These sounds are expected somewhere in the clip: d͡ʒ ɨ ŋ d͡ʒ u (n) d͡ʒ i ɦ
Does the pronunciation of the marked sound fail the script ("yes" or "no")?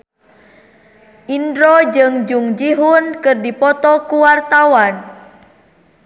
yes